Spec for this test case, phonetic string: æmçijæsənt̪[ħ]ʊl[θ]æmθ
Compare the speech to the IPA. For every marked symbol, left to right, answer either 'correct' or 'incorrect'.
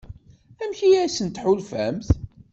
correct, incorrect: f

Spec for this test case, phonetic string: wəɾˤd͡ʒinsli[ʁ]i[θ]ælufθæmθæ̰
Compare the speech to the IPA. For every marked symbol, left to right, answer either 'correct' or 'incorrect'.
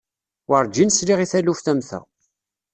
correct, correct

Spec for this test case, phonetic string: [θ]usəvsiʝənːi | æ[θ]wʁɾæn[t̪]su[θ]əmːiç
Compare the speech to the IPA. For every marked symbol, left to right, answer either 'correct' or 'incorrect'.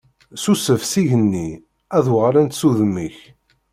incorrect: s, incorrect: ð, correct, incorrect: ð

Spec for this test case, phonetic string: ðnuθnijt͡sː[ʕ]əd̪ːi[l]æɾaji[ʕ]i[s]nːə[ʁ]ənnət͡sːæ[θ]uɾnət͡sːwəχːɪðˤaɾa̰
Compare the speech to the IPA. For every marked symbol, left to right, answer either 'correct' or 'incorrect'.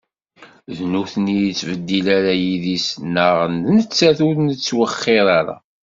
incorrect: v, correct, incorrect: ð, correct, correct, correct

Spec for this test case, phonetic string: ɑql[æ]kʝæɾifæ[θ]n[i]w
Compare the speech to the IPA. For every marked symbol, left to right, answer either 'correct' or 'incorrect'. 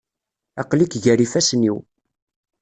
incorrect: i, incorrect: s, correct

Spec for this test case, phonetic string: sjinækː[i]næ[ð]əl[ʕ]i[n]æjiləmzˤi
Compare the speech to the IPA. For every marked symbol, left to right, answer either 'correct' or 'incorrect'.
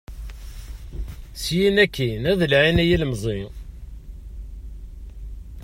correct, correct, correct, correct

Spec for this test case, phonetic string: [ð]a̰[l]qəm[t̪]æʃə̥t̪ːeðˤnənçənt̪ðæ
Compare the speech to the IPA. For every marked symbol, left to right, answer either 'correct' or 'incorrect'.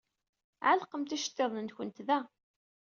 incorrect: ʕ, correct, correct

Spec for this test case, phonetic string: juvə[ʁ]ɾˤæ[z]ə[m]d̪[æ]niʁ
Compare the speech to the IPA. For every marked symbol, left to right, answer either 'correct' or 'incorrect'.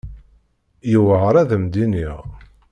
correct, incorrect: ð, correct, incorrect: i

